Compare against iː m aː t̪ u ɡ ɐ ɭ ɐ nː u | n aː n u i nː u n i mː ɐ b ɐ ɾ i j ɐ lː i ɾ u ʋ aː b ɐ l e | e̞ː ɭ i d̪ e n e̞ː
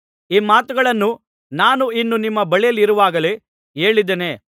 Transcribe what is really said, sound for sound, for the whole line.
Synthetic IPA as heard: iː m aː t̪ u ɡ ɐ ɭ ɐ nː u | n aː n u i nː u n i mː ɐ b ɐ ɭ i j ɐ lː i ɾ u ʋ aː ɡ ɐ l e | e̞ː ɭ i d̪ e n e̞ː

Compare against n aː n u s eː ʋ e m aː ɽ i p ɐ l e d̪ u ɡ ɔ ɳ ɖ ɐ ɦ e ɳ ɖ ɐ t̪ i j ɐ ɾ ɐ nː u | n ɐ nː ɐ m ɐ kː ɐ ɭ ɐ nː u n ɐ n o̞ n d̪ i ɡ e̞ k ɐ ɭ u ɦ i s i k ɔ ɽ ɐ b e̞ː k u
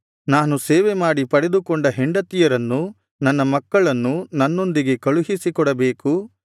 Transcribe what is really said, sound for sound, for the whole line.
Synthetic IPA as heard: n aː n u s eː ʋ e m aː ɽ i p ɐ ɽ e d̪ u k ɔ ɳ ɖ ɐ ɦ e ɳ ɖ ɐ t̪ i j ɐ ɾ ɐ nː u | n ɐ nː ɐ m ɐ kː ɐ ɭ ɐ nː u n ɐ nː o̞ n d̪ i ɡ e̞ k ɐ ɭ u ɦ i s i k ɔ ɽ ɐ b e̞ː k u

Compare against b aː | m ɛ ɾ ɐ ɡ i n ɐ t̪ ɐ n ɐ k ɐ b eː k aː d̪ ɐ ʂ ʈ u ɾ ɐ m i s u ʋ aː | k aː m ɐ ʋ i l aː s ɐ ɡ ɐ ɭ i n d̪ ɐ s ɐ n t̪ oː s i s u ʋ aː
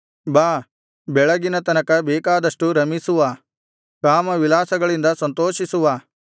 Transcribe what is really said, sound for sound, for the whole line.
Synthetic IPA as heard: b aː | b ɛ ɭ ɐ ɡ i n ɐ t̪ ɐ n ɐ k ɐ b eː k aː d̪ ɐ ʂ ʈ u ɾ ɐ m i s u ʋ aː | k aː m ɐ ʋ i l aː s ɐ ɡ ɐ ɭ i n d̪ ɐ s ɐ n t̪ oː ʃ i s u ʋ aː

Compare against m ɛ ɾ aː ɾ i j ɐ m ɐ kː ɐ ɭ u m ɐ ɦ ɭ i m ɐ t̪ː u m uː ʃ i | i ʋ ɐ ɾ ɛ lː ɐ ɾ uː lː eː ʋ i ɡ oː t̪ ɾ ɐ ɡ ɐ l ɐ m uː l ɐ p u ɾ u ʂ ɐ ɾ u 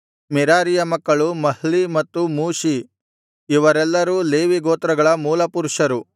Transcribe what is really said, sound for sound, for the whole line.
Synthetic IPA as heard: m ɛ ɾ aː ɾ i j ɐ m ɐ kː ɐ ɭ u m ɐ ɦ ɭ i m ɐ t̪ː u m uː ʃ i | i ʋ ɐ ɾ ɛ lː ɐ ɾ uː l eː ʋ i ɡ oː t̪ ɾ ɐ ɡ ɐ ɭ ɐ m uː l ɐ p u ɾ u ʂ ɐ ɾ u

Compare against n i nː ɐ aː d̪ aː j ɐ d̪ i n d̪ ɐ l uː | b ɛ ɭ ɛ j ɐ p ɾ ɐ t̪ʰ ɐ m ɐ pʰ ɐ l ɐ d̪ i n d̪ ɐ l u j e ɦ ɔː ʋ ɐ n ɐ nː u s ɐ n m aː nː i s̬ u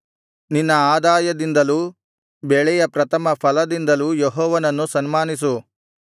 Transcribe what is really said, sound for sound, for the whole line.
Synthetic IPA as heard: n i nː ɐ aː d̪ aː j ɐ d̪ i n d̪ ɐ l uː | b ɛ ɭ ɛ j ɐ p ɾ ɐ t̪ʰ ɐ m ɐ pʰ ɐ l ɐ d̪ i n d̪ ɐ l u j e ɦ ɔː ʋ ɐ n ɐ nː u s ɐ n m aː n i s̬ u

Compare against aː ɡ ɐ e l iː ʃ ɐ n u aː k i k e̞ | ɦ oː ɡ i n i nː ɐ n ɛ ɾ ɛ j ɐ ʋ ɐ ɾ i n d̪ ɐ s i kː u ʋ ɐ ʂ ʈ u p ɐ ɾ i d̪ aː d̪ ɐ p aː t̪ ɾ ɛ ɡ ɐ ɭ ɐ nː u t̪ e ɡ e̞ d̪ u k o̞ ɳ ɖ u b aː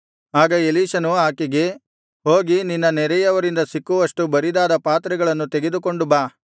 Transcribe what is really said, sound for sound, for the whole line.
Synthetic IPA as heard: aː ɡ ɐ e l iː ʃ ɐ n u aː k i ɡ e̞ | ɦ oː ɡ i n i nː ɐ n ɛ ɾ ɛ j ɐ ʋ ɐ ɾ i n d̪ ɐ s i kː u ʋ ɐ ʂ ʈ u b ɐ ɾ i d̪ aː d̪ ɐ p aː t̪ ɾ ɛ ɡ ɐ ɭ ɐ nː u t̪ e ɡ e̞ d̪ u k o̞ ɳ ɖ u b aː

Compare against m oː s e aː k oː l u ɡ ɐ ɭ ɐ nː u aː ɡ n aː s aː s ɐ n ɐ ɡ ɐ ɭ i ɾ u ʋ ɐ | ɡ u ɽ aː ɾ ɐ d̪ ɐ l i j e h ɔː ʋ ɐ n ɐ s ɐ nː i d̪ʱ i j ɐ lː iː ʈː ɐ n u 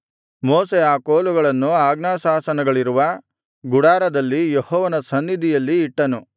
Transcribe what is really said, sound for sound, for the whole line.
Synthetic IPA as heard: m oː s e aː k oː l u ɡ ɐ ɭ ɐ nː u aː ɡ n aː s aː s ɐ n ɐ ɡ ɐ ɭ i ɾ u ʋ ɐ | ɡ u ɽ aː ɾ ɐ d̪ ɐ lː i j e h ɔː ʋ ɐ n ɐ s ɐ nː i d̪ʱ i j ɐ lː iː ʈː ɐ n u

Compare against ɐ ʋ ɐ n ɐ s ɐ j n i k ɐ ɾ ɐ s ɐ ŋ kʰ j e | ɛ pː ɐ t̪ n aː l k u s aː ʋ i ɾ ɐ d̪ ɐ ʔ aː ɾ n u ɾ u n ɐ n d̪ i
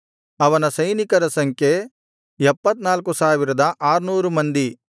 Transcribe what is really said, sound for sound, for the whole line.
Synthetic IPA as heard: ɐ ʋ ɐ n ɐ s ɐ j n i k ɐ ɾ ɐ s ɐ ŋ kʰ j e | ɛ pː ɐ t̪ n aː l k u s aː ʋ i ɾ ɐ d̪ ɐ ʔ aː ɾ n uː ɾ u m ɐ n d̪ i

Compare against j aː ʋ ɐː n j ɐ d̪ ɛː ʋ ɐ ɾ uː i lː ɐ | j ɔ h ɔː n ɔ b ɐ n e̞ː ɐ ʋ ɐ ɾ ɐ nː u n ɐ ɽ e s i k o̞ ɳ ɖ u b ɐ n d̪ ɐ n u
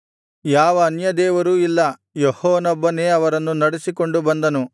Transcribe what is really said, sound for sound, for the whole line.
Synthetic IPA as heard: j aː ʋ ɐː n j ɐ d̪ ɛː ʋ ɐ ɾ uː i lː ɐ | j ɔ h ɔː n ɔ bː ɐ n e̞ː ɐ ʋ ɐ ɾ ɐ nː u n ɐ ɽ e s i k o̞ ɳ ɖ u b ɐ n d̪ ɐ n u

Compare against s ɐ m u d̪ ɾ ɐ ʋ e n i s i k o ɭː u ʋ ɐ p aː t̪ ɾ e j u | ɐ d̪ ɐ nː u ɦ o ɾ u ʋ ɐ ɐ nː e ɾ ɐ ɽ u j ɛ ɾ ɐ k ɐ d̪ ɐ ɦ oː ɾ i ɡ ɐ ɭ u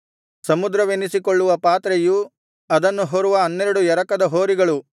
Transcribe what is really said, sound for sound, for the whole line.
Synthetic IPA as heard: s ɐ m u d̪ ɾ ɐ ʋ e n i s i k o ɭː u ʋ ɐ p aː t̪ ɾ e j u | ɐ d̪ ɐ nː u ɦ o ɾ u ʋ ɐ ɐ nː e ɾ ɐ ɽ u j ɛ ɾ ɐ k ɐ d̪ ɐ ɦ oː ɾ i ɡ ɐ ɭ u

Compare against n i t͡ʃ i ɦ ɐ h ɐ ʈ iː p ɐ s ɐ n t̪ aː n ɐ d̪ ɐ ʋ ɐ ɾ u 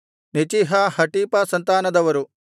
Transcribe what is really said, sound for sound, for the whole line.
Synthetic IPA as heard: n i t͡ʃ i ɦ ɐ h ɐ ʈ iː p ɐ s ɐ n t̪ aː n ɐ d̪ ɐ ʋ ɐ ɾ u

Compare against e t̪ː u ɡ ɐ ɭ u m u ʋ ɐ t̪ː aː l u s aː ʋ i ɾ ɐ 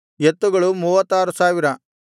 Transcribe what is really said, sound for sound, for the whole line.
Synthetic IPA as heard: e t̪ː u ɡ ɐ ɭ u m uː ʋ ɐ t̪ː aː ɾ u s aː ʋ i ɾ ɐ

